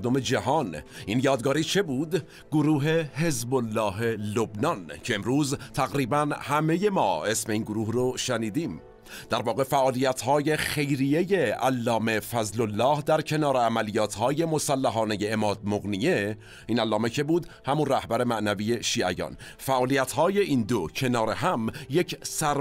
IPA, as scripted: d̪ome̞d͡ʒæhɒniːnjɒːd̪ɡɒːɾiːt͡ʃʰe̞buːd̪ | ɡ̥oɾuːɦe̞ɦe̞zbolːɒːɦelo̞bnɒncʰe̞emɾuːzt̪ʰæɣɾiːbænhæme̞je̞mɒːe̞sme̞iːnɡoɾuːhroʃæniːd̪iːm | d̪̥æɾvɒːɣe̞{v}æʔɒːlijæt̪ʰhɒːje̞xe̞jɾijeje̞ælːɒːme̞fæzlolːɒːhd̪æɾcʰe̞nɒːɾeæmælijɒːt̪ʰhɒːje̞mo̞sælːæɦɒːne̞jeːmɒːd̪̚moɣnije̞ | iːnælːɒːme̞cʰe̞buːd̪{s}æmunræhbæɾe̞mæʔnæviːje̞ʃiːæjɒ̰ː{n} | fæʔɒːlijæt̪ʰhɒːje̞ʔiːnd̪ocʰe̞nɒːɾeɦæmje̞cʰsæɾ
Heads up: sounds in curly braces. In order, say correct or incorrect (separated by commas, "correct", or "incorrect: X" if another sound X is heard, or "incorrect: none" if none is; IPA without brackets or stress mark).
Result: incorrect: f, incorrect: h, correct